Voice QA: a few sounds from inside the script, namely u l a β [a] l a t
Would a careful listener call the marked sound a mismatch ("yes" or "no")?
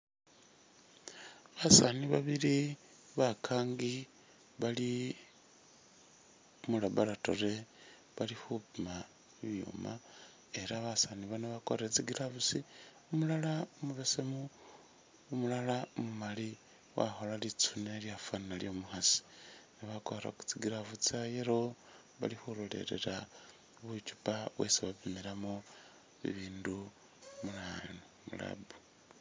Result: no